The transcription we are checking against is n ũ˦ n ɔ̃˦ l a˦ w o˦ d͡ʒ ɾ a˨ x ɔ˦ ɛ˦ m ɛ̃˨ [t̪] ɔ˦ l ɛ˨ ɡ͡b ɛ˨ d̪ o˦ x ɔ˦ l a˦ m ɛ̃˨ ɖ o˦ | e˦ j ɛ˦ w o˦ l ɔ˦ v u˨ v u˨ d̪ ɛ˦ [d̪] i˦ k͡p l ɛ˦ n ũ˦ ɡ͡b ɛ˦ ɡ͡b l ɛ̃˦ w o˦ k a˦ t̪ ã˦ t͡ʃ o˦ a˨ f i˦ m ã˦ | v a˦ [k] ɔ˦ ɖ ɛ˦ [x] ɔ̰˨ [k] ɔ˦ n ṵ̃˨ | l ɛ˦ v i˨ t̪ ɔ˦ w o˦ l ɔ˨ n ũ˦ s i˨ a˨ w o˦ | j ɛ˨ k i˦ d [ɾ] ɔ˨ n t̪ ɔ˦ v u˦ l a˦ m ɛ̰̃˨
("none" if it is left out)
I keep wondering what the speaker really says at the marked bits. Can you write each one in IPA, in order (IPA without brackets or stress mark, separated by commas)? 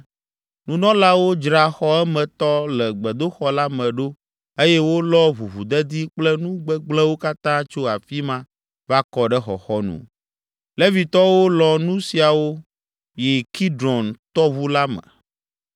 t̪, d̪, k, x, x, ɾ